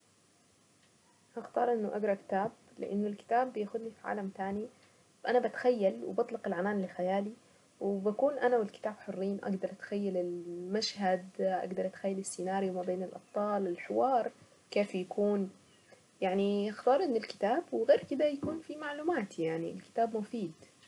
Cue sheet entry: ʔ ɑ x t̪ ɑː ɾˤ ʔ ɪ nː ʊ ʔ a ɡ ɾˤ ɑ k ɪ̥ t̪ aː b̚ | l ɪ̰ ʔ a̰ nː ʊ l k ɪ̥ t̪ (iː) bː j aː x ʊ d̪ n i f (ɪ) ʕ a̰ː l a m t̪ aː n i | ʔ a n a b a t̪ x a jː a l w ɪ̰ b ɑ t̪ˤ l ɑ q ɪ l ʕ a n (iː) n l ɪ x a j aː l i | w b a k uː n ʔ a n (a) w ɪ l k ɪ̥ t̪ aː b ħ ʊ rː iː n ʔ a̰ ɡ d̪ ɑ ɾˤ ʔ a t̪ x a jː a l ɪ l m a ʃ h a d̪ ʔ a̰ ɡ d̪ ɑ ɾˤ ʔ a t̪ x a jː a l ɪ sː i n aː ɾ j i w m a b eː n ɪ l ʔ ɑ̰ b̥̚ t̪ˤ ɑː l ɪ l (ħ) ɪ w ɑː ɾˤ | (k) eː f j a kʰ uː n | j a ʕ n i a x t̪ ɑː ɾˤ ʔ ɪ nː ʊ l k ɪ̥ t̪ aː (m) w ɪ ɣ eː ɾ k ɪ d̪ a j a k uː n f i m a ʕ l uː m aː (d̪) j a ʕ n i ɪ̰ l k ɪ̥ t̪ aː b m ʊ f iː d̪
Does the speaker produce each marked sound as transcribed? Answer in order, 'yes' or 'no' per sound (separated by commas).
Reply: no, no, no, yes, yes, yes, no, no